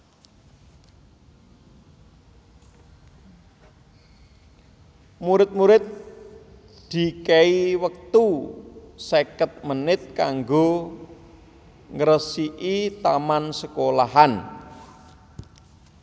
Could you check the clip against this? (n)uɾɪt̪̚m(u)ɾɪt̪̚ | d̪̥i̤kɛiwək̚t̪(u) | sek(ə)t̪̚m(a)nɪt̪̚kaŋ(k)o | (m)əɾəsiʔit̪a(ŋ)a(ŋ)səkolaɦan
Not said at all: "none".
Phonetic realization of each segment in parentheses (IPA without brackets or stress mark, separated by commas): m, u, u, ə, ə, ɡ, ŋ, m, n